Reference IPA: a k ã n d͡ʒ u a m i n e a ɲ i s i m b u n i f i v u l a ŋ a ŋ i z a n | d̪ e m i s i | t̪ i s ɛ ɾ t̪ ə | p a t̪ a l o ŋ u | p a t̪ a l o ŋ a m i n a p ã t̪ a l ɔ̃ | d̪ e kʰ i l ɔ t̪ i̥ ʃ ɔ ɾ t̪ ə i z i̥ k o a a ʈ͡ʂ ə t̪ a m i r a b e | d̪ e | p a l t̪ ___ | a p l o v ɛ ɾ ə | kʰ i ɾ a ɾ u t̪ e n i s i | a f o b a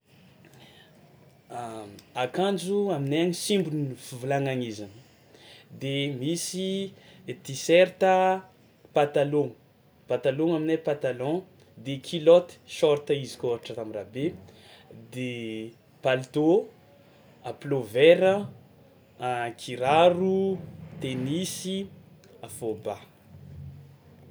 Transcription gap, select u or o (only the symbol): o